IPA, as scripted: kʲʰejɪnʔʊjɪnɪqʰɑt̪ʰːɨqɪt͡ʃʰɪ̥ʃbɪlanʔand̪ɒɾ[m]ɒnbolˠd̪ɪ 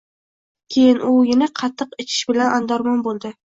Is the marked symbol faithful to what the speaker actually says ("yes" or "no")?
yes